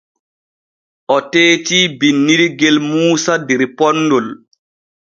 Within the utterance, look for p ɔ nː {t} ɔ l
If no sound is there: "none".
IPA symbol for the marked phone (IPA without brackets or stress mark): d